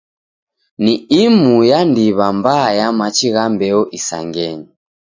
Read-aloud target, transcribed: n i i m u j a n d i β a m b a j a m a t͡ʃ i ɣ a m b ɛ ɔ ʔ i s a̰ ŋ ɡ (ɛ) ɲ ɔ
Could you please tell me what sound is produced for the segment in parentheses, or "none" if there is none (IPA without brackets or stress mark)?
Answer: ɛ